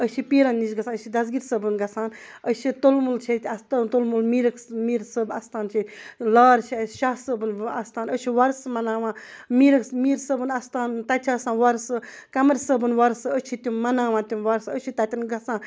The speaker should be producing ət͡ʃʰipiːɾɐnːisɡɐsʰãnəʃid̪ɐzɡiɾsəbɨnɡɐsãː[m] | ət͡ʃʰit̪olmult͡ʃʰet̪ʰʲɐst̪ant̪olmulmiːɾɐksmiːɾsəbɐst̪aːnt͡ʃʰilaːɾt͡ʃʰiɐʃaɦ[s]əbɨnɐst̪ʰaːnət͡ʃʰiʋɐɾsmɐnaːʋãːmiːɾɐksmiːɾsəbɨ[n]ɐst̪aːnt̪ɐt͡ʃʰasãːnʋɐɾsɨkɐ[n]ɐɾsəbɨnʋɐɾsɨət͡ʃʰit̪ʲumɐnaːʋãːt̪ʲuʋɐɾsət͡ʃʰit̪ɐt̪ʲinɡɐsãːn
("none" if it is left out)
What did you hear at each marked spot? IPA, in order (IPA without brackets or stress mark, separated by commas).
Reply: n, s, n, m